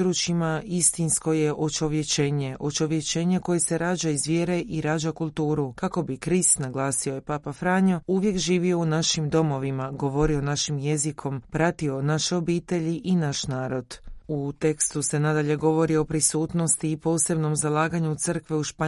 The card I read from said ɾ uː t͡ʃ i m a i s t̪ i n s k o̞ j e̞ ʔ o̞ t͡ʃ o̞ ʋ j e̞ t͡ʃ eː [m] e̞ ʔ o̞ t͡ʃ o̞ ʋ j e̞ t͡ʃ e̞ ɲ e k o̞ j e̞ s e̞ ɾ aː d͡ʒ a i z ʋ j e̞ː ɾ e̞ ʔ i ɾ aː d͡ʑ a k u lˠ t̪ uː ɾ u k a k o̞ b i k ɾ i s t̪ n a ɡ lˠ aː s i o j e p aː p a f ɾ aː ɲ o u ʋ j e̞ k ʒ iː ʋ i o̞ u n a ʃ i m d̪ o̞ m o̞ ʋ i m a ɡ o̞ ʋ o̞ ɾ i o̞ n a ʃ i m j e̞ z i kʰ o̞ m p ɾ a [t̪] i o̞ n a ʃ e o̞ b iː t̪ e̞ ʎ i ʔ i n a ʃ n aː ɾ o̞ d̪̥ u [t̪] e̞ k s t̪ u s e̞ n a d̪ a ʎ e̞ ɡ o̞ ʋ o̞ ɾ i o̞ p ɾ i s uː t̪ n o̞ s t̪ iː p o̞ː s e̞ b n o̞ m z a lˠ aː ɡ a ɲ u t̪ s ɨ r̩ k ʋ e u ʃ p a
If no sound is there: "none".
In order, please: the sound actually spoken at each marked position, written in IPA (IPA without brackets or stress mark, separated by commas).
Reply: ɲ, t̪, t̪